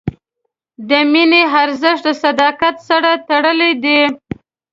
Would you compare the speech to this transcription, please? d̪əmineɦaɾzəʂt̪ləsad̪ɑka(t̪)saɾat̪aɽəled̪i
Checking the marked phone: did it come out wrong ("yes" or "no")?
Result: no